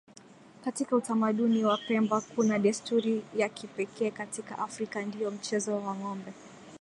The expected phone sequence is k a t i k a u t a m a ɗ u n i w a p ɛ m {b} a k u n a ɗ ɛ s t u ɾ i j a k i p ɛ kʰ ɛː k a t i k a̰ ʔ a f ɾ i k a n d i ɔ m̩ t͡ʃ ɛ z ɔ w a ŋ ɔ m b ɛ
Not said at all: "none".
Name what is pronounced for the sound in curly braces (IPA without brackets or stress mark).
b